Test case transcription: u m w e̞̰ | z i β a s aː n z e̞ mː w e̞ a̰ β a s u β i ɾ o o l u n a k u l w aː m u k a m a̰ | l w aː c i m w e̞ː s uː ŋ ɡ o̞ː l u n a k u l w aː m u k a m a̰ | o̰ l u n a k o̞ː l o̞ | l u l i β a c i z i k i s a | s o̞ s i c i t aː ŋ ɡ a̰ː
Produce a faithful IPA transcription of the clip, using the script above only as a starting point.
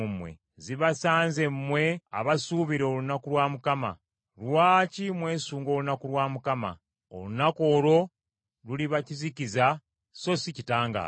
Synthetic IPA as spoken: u m w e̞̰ | z i β a s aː n z e̞ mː w e̞ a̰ β a s u β i ɾ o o l u n a k u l w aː m u k a m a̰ | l w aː c i m w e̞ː s uː ŋ ɡ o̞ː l u n a k u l w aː m u k a m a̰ | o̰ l u n a k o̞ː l o̞ | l u l i β a c i z i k i z a | s o̞ s i c i t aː ŋ ɡ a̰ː